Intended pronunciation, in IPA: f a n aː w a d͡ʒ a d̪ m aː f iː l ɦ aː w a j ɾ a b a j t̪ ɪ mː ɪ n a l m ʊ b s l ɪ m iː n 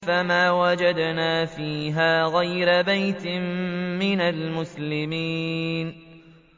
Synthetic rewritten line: f a m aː w a d͡ʒ a d̪ n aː f iː ɦ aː ɣ a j ɾ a b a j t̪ ɪ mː ɪ n a l m ʊ s l ɪ m iː n

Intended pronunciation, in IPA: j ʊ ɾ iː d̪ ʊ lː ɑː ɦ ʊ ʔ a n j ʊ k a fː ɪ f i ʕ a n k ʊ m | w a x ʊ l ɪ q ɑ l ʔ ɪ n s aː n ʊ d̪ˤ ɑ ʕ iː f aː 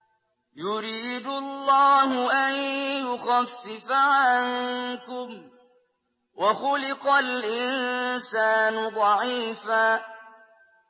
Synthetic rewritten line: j ʊ ɾ iː d̪ ʊ lː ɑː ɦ ʊ ʔ a n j ʊ x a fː ɪ f a ʕ a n k ʊ m | w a x ʊ l ɪ q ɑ l ʔ ɪ n s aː n ʊ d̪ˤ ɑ ʕ iː f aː

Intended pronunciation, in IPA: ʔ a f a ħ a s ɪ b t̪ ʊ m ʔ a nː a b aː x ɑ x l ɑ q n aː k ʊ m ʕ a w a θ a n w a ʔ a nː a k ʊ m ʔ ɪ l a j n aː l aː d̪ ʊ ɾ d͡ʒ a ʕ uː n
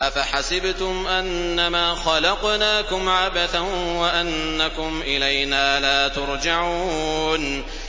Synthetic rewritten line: ʔ a f a ħ a s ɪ b t̪ ʊ m ʔ a nː a m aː x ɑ l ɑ q n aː k ʊ m ʕ a b a θ a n w a ʔ a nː a k ʊ m ʔ ɪ l a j n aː l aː t̪ ʊ ɾ d͡ʒ a ʕ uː n

